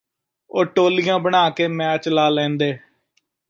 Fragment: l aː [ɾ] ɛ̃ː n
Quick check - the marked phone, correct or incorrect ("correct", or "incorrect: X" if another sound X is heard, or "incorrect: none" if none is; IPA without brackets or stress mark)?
incorrect: l